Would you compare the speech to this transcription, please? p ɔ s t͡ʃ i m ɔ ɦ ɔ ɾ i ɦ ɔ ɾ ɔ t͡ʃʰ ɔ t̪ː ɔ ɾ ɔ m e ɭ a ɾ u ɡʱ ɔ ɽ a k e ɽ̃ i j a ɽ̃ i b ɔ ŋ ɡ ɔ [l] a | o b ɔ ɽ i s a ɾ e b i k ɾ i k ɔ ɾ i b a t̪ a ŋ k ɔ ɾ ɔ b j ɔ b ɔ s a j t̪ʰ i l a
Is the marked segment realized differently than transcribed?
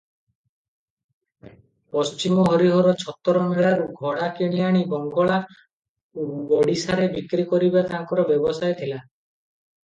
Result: yes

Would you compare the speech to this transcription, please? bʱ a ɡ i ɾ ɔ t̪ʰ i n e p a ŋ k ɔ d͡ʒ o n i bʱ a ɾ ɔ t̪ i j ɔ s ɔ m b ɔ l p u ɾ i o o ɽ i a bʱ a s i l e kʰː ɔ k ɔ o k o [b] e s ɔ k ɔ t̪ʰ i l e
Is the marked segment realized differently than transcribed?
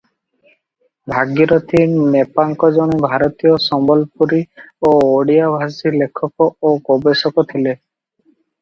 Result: no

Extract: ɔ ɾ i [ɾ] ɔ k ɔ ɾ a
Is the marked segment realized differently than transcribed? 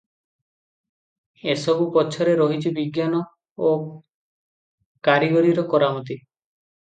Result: no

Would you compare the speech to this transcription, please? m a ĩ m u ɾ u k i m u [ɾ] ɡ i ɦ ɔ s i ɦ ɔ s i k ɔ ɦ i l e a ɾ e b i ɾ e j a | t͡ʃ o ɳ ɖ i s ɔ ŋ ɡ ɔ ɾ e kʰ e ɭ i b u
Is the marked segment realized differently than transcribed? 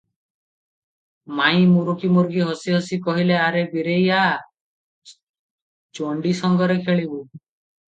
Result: no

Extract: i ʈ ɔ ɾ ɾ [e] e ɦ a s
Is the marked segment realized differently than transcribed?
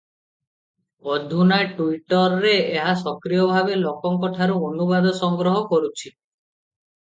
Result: no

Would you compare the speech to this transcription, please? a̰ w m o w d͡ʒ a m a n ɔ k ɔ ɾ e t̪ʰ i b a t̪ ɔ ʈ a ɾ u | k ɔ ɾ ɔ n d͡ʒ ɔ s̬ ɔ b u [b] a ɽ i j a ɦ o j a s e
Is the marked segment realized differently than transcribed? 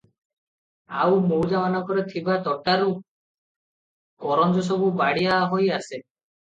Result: no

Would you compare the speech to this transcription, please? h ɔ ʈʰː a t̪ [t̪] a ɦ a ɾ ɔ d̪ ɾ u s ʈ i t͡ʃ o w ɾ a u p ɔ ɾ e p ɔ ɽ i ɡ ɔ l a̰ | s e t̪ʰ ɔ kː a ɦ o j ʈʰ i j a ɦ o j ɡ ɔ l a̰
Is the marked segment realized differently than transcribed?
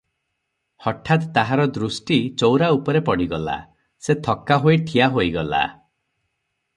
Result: no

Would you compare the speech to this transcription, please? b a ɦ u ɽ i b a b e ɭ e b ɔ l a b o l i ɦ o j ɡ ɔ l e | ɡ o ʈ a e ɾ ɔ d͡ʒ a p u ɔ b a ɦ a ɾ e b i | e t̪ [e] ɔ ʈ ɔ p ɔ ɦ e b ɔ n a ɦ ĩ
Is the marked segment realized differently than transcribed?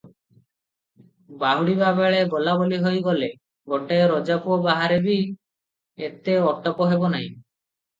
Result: no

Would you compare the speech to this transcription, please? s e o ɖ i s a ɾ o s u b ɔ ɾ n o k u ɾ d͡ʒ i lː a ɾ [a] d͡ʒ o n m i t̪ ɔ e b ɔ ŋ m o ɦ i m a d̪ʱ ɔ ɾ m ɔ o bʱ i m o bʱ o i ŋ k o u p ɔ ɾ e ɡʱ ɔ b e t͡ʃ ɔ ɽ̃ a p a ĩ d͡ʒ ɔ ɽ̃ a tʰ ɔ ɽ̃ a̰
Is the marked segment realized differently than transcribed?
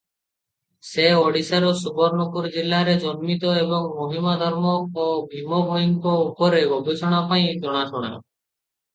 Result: yes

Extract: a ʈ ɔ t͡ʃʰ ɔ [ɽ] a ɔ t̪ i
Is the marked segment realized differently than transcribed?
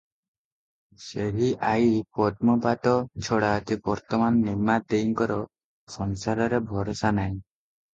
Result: no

